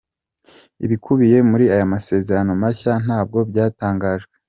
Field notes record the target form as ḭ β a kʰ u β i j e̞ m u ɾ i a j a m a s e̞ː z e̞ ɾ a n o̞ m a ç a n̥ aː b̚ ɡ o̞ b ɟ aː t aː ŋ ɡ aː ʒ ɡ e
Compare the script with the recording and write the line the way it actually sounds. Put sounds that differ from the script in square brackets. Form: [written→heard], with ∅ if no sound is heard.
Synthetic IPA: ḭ β [a→i] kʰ u β i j e̞ m u ɾ i a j a m a s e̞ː z e̞ ɾ a n o̞ m a ç a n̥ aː b̚ ɡ o̞ b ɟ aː t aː ŋ ɡ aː ʒ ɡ e